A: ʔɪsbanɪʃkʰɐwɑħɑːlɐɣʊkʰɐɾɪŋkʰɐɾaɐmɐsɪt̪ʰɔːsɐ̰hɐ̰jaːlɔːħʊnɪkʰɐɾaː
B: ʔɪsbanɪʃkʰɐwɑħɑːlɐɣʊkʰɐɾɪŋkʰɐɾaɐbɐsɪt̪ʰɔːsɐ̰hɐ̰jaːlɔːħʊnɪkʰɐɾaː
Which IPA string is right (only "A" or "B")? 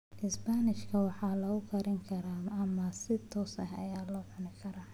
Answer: A